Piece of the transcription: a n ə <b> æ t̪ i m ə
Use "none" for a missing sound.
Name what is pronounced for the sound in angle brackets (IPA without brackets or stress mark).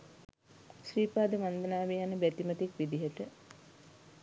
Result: b